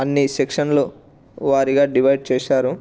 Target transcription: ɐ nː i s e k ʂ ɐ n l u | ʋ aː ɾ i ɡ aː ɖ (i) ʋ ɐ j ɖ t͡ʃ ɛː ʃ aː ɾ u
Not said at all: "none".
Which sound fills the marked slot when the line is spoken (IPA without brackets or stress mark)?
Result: i